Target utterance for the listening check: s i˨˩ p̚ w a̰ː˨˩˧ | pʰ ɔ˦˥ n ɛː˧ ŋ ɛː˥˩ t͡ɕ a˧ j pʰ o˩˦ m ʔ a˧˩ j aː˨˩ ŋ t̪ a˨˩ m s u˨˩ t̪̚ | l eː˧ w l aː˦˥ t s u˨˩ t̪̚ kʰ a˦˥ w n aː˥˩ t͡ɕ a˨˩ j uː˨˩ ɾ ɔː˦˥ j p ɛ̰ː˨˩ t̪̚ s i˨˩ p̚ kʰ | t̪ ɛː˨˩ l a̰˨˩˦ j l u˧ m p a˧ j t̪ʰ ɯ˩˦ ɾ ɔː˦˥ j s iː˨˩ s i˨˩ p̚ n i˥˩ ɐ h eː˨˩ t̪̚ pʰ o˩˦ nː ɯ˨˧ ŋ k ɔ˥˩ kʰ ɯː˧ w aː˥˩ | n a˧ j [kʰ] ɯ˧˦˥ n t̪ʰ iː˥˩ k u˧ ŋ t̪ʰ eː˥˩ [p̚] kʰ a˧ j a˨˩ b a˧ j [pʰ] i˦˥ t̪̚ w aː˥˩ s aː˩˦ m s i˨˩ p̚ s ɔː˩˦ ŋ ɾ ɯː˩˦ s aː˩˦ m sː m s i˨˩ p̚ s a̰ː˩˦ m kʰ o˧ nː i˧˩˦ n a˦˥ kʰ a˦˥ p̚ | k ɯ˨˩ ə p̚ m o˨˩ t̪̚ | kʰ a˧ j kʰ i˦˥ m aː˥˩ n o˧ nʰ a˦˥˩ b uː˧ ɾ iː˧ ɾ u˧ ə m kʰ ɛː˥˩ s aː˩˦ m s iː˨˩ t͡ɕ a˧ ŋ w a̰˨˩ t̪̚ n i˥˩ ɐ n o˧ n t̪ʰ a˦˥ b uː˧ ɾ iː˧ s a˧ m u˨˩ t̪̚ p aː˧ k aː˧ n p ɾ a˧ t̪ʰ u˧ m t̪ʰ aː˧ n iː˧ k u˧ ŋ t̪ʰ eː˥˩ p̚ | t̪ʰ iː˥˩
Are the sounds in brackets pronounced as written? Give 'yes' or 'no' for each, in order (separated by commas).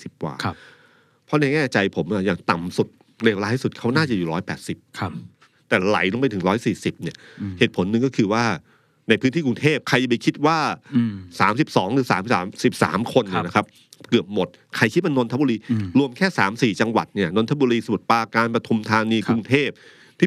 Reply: no, yes, no